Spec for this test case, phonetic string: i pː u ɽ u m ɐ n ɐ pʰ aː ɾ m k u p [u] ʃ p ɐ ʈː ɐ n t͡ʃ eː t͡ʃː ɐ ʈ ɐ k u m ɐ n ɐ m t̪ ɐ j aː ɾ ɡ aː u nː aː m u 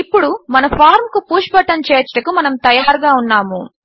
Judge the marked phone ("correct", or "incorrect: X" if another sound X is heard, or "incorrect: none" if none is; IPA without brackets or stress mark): incorrect: uː